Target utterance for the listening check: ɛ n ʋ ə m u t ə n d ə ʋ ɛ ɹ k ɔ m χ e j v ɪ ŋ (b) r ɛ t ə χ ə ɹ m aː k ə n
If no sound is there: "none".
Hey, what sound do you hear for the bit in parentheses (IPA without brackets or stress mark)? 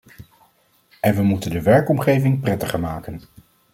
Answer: p